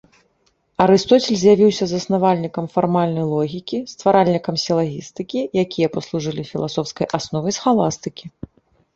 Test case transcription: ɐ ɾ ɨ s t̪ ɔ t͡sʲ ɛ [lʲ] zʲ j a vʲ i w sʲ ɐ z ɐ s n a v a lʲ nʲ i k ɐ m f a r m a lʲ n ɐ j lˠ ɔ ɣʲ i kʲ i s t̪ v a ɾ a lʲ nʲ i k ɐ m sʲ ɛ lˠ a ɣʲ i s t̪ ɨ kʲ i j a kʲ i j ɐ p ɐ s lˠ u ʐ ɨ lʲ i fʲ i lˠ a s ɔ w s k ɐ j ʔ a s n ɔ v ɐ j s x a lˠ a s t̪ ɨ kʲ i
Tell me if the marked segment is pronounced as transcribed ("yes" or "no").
yes